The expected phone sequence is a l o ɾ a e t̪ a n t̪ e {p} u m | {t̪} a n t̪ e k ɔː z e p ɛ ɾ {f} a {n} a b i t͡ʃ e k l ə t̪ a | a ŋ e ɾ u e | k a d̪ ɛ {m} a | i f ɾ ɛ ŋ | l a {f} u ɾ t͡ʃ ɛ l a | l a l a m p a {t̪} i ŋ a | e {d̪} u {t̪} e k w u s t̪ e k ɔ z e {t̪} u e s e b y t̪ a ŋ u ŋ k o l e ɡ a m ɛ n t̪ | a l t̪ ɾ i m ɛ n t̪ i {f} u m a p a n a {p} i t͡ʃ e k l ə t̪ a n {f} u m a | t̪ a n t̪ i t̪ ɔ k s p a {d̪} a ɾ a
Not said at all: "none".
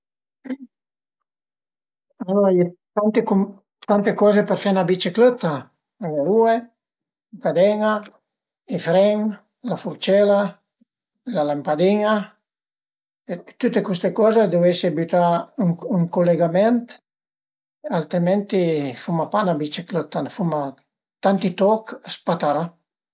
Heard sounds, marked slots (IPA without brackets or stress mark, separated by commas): k, t̪, f, n, ŋ, f, d̪, t̪, t̪, d̪, f, b, f, t̪